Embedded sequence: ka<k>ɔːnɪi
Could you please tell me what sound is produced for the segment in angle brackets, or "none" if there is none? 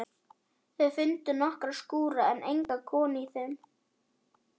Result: kʰ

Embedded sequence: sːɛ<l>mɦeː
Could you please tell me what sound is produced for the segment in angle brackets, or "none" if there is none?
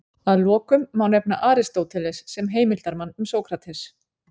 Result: none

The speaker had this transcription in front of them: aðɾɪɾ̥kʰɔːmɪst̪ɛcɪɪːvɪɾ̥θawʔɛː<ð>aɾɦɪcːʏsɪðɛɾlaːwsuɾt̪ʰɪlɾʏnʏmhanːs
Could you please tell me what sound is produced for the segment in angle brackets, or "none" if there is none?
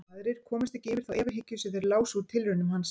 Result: v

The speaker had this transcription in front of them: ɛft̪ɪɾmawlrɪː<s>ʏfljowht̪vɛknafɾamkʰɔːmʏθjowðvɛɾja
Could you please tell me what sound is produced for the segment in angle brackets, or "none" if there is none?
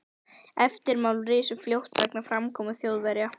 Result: s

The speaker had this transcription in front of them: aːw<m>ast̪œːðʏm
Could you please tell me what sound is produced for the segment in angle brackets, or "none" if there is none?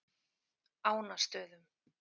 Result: n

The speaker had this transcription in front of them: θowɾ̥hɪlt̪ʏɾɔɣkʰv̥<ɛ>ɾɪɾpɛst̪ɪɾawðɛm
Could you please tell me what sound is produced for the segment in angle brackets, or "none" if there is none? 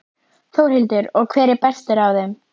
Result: ɛː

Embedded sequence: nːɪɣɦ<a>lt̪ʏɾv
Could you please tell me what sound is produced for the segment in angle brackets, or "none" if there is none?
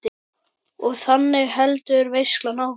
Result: ɛ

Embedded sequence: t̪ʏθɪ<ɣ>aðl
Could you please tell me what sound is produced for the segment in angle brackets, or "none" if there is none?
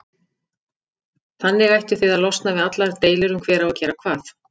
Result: ð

